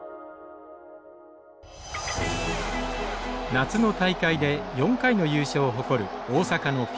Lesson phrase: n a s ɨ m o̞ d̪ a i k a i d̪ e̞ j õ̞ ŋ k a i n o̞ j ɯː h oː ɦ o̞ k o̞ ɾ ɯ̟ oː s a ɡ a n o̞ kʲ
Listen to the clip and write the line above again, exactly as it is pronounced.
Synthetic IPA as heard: n a t͡s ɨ n o̞ t̪ a i k a i d̪ e̞ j õ̞ ŋ k a i n o̞ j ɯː ɕ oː ɦ o̞ k o̞ ɾ ɯ̟ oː s a k a n o̞ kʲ

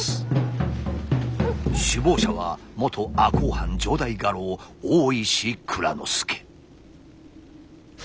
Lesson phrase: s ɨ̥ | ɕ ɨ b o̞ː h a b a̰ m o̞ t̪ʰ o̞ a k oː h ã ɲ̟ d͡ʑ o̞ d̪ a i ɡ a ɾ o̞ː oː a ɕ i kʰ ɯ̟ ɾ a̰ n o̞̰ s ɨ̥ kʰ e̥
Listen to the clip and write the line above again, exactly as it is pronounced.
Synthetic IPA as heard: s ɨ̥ | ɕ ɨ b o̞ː ɕ a β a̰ m o̞ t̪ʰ o̞ a k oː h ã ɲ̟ d͡ʑ o̞ d̪ a i ɡ a ɾ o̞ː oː i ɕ i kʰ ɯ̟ ɾ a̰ n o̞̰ s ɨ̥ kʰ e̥

